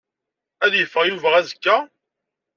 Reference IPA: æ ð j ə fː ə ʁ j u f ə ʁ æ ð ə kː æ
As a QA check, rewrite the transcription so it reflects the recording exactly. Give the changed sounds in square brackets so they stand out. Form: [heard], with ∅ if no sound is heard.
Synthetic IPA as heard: æ ð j ə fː ə ʁ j u [v] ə ʁ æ [z] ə kː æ